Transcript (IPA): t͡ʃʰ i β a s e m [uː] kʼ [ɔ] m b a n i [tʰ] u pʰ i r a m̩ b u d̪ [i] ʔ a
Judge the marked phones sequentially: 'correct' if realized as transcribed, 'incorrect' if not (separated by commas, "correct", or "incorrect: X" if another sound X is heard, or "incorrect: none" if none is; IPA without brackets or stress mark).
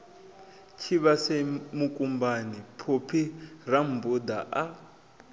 incorrect: u, incorrect: u, incorrect: pʰ, incorrect: a